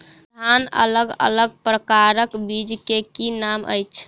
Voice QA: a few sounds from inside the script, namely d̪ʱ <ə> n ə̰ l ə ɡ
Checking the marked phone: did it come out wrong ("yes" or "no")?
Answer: yes